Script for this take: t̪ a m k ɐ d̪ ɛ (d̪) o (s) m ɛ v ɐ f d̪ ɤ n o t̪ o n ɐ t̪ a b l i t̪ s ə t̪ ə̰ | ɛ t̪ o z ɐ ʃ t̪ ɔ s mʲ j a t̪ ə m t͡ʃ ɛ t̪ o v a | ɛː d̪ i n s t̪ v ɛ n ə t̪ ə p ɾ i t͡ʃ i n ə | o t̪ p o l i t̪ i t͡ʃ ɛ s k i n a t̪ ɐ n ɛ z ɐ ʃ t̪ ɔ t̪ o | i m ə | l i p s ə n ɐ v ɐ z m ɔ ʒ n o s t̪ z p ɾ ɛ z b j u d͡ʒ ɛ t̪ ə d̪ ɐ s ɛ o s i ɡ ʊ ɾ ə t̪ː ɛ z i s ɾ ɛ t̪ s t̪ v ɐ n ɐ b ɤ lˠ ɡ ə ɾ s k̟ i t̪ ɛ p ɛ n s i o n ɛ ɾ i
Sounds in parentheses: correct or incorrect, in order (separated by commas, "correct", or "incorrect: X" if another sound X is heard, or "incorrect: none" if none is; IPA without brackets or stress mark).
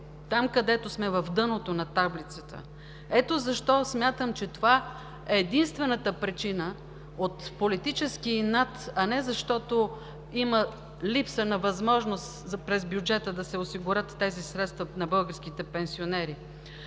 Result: incorrect: t̪, correct